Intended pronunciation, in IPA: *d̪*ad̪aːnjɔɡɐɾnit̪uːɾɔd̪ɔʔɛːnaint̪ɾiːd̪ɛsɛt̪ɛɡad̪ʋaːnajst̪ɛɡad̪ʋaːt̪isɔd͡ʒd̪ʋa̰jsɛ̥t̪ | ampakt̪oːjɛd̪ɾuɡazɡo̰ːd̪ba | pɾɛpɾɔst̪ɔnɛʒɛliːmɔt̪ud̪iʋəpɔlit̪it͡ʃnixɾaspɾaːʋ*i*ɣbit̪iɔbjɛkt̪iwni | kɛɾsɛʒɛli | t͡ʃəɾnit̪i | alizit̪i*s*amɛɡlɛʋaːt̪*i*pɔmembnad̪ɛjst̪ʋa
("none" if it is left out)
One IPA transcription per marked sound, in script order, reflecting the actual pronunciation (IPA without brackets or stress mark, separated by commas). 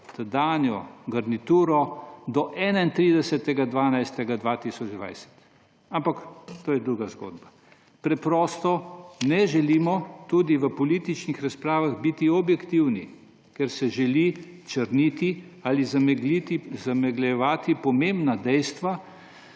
t̪, a, z, i